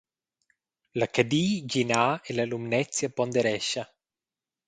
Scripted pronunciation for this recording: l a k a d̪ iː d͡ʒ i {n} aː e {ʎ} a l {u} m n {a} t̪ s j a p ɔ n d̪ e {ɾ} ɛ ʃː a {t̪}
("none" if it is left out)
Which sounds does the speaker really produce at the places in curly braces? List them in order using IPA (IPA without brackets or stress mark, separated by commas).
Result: n, l, u, ɛ, ɾ, none